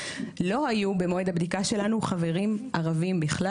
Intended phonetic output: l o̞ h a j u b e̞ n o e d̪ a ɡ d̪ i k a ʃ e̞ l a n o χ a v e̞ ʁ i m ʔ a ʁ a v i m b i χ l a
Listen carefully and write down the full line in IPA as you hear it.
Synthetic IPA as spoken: l o̞ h a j u b e̞ m o e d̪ a b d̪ i k a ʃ e̞ l a n u χ a v e̞ ʁ i m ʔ a ʁ a v i m b i χ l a